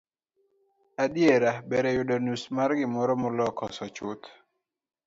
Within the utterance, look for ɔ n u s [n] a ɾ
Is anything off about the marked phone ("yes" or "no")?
yes